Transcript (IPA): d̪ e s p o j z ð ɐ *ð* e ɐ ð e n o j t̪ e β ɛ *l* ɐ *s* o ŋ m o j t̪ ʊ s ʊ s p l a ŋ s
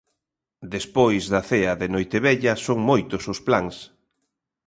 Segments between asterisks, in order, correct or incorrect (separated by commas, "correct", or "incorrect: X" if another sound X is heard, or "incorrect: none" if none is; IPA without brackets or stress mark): incorrect: θ, incorrect: ʎ, correct